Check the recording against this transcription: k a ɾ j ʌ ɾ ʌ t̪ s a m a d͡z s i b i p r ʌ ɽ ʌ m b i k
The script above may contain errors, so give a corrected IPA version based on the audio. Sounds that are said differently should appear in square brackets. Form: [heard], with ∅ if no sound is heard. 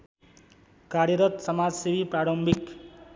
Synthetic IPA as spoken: k a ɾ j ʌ ɾ ʌ t̪ s [ʌ] m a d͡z s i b i p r [a] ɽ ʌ m b i k